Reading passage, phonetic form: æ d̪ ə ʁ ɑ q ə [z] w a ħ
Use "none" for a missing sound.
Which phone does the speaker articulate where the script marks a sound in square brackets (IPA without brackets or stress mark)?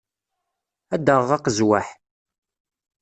z